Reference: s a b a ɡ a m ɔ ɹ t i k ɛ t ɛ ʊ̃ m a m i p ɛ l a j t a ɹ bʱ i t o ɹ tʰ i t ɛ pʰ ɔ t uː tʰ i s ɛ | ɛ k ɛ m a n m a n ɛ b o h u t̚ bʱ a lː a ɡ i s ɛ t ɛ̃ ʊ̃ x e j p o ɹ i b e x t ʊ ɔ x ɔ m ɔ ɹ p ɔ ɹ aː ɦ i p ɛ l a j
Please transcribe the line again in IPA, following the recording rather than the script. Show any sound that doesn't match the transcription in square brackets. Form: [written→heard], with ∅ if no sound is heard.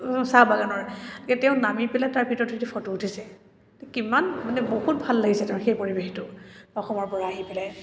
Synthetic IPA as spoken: s a b a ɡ a [m→n] ɔ ɹ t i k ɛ t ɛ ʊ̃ [m→n] a m i p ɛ l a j t a ɹ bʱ i t [o→ɔ] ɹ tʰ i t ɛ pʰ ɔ t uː tʰ i s ɛ | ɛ k [ɛ→i] m a n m a n ɛ b o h u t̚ bʱ a lː a ɡ i s ɛ t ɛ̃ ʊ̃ x e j p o ɹ i b e x t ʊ ɔ x ɔ m ɔ ɹ p ɔ ɹ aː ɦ i p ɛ l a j